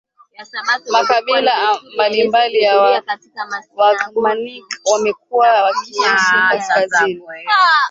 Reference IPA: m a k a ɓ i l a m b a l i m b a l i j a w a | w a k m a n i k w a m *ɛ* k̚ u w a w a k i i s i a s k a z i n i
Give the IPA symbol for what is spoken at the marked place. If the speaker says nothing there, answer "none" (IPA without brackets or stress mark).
ɛ